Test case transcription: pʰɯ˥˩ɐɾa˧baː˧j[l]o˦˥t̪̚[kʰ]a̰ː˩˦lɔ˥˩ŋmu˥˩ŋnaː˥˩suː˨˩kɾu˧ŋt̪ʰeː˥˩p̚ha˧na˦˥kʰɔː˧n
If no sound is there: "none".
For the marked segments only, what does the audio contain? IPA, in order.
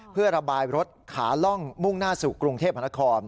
ɾ, kʰ

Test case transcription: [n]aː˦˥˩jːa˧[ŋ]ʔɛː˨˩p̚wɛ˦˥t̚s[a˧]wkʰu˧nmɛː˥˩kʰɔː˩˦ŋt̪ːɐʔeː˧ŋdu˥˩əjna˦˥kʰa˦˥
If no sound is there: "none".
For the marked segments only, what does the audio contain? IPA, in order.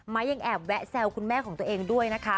m, ŋ, ɛ˧

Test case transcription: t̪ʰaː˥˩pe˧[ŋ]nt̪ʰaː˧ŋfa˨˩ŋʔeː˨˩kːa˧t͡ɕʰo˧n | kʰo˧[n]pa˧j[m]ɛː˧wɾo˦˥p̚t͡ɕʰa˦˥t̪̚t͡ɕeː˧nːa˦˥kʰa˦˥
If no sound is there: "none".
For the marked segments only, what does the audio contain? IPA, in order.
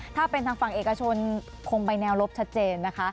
none, ŋ, n

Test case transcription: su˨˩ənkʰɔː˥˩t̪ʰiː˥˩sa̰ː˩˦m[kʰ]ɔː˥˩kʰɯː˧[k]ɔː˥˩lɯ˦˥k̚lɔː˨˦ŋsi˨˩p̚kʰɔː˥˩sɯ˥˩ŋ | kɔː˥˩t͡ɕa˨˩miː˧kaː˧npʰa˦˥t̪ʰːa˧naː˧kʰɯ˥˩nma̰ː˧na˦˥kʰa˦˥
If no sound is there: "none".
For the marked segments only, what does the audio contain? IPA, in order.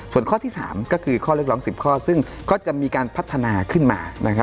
k, kʰ

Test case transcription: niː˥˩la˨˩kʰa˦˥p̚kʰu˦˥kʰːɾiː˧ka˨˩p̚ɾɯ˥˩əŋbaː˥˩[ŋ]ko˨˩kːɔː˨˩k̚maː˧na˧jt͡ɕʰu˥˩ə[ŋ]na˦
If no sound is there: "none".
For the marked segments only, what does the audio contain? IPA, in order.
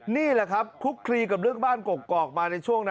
n, ŋ

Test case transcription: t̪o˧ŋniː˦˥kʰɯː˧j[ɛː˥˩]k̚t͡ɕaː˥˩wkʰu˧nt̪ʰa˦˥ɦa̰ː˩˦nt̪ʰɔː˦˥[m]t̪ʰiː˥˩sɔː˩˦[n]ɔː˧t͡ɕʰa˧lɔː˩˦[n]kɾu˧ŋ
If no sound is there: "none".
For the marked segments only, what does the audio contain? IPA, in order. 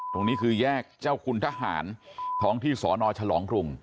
ɛː˥˩, ŋ, n, ŋ

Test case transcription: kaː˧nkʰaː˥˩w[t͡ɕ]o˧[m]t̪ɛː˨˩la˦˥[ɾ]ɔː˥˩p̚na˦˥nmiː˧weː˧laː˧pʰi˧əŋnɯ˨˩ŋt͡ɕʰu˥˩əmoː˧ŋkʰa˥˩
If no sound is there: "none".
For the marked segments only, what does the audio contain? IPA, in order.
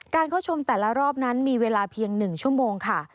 t͡ɕʰ, m, ɾ

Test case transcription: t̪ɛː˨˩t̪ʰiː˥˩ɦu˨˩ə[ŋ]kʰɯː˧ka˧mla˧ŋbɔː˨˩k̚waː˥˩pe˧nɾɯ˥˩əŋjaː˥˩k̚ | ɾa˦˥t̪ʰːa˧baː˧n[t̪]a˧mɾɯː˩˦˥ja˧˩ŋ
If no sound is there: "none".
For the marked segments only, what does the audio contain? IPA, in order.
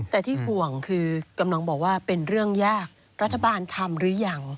ŋ, t̪ʰ

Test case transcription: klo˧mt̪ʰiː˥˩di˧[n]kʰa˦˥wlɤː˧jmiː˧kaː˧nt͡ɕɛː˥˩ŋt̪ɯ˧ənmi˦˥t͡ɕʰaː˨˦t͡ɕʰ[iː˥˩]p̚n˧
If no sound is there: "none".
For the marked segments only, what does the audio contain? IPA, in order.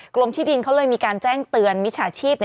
n, iː˥˩

